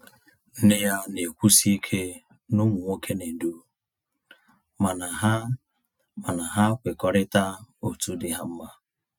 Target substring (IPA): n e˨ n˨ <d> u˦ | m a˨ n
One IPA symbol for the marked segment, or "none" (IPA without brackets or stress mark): d